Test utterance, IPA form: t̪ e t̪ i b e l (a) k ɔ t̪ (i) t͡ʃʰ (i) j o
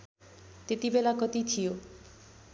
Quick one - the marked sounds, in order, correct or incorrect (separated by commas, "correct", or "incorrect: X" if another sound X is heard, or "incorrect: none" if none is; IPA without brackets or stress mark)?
correct, correct, correct